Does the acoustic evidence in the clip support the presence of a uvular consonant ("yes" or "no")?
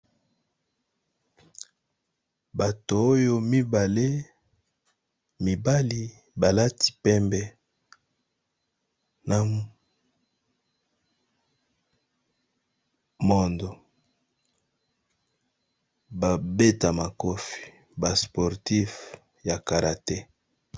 yes